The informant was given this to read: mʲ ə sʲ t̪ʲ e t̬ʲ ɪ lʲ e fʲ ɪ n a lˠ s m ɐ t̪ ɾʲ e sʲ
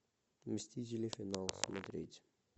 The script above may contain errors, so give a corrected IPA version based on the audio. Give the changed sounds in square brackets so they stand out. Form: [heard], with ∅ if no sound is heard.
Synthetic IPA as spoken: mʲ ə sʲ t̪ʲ [i] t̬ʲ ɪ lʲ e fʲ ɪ n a lˠ s m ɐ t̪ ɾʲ e [tʲ]